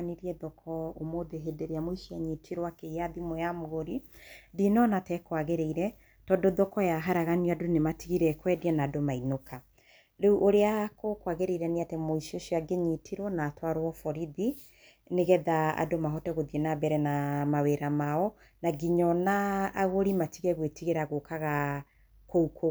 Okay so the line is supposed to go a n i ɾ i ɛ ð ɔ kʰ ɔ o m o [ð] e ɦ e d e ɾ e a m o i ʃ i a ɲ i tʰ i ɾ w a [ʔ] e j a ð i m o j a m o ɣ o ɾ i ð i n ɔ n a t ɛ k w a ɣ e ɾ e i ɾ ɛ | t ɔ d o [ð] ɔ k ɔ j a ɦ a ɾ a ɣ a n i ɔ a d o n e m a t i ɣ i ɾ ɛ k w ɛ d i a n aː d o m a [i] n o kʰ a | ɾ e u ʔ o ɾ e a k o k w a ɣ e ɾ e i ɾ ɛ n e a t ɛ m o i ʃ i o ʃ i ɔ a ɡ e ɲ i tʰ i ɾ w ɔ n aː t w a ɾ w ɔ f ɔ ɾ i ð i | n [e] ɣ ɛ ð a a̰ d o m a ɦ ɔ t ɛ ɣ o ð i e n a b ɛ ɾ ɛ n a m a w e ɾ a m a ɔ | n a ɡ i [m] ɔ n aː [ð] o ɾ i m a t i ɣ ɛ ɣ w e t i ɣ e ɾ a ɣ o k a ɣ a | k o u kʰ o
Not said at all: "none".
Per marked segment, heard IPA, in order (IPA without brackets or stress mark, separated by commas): ð, k, ð, i, e, ɲ, ɣ